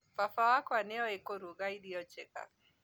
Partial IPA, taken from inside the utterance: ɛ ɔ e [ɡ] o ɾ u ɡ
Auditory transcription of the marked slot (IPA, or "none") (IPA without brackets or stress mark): k